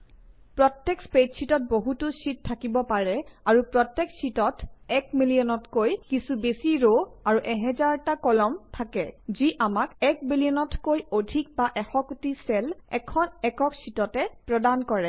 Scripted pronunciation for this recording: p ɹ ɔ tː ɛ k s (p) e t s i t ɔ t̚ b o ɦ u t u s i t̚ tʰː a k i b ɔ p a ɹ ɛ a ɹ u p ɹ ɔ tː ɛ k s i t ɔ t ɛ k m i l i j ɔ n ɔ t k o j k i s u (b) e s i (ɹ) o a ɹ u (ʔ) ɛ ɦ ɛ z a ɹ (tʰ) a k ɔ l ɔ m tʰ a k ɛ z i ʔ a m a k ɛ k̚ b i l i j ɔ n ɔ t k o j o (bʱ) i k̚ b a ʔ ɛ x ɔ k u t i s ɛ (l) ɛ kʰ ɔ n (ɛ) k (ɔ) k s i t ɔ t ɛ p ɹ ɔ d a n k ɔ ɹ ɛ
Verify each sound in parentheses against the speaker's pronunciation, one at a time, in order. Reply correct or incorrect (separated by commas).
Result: correct, correct, correct, correct, incorrect, incorrect, correct, correct, correct